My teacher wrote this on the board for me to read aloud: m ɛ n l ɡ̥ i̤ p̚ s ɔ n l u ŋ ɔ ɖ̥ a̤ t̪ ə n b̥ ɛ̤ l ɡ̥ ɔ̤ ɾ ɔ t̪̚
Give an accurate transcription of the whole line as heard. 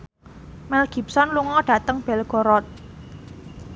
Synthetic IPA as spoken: m ɛ l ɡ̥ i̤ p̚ s ɔ n l u ŋ ɔ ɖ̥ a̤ t̪ ə ŋ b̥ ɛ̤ l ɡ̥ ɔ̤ ɾ ɔ t̪̚